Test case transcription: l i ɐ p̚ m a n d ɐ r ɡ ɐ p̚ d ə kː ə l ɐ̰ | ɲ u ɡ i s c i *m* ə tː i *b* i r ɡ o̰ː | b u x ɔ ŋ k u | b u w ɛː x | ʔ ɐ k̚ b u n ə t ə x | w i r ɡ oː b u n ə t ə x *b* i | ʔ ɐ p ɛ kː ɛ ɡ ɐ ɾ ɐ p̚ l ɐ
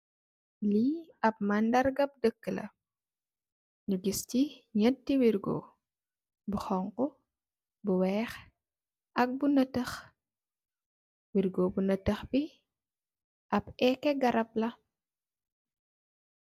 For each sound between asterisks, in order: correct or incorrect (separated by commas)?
incorrect, incorrect, correct